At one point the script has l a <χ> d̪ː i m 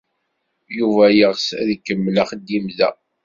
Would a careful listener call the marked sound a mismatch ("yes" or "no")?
no